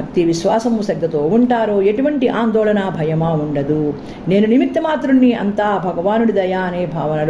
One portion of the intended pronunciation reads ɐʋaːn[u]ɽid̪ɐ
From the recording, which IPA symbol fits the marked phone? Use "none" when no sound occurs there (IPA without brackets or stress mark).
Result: u